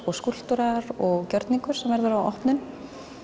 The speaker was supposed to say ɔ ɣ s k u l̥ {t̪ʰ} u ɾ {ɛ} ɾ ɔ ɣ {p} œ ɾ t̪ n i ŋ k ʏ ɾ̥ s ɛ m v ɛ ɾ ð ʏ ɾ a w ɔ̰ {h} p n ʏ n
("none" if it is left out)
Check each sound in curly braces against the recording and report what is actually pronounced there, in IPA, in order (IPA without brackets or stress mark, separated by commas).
t̪, a, c, h